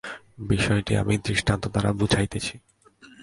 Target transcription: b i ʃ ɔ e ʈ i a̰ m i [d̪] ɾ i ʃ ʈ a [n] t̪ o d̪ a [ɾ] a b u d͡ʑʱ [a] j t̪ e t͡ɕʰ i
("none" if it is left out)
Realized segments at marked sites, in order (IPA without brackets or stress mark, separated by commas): d̪, n, ɾ, a